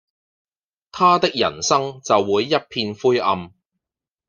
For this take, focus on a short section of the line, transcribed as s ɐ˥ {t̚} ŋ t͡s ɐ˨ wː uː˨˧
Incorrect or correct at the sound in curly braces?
incorrect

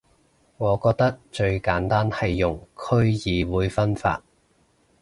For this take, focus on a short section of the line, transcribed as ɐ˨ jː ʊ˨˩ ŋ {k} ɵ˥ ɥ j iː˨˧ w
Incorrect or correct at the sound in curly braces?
incorrect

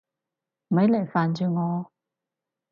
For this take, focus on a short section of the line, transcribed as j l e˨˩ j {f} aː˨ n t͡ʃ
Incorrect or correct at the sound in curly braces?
correct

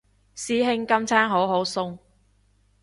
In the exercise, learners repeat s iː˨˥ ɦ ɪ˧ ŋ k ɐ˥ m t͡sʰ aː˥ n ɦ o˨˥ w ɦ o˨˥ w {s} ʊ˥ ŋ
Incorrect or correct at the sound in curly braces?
correct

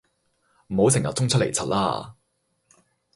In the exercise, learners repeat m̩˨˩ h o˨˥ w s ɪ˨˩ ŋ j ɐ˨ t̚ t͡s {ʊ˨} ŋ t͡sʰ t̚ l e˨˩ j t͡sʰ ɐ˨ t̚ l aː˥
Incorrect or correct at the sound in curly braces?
incorrect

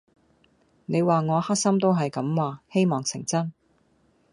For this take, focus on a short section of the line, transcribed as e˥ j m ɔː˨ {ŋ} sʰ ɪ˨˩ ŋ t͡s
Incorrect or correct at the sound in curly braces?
correct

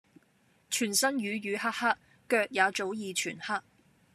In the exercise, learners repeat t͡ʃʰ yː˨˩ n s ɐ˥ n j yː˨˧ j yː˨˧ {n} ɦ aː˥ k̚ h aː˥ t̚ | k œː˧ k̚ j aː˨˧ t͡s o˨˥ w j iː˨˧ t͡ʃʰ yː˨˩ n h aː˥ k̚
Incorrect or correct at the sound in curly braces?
incorrect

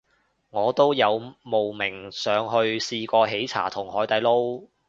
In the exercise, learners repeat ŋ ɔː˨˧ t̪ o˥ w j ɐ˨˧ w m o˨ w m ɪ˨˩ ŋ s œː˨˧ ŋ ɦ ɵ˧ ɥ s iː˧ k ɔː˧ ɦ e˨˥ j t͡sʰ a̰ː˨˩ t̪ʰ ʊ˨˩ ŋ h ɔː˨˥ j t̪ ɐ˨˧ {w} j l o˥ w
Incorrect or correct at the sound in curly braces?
incorrect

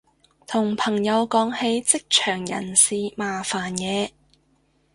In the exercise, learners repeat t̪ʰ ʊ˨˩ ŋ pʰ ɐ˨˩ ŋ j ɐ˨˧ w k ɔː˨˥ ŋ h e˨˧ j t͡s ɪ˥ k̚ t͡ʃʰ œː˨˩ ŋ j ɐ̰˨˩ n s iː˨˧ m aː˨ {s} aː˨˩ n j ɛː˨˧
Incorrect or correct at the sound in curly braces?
incorrect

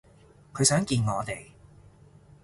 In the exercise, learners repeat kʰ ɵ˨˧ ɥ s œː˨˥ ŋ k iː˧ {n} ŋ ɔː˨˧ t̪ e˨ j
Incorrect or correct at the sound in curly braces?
correct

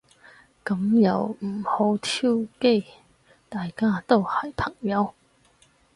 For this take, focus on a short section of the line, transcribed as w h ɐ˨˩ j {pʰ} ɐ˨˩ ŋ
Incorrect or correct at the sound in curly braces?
correct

